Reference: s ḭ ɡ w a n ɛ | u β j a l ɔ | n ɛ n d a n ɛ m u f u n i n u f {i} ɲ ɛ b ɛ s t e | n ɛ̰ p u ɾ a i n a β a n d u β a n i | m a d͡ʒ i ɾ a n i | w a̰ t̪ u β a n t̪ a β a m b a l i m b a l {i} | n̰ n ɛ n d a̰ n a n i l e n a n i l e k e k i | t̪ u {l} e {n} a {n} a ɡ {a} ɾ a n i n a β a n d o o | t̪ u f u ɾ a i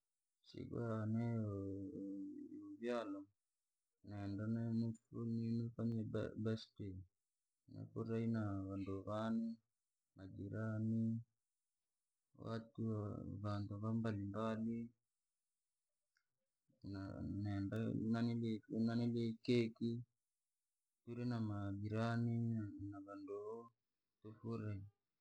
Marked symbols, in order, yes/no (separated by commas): no, yes, no, yes, no, no